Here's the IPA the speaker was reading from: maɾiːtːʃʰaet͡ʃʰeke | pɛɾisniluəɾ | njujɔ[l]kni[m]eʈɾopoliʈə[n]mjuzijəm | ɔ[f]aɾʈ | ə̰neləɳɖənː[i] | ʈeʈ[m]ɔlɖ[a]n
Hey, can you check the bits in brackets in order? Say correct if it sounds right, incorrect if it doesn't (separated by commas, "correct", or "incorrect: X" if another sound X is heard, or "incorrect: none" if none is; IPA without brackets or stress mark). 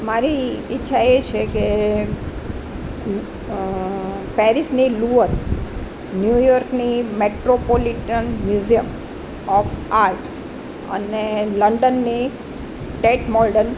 incorrect: ɾ, correct, correct, correct, correct, correct, incorrect: ə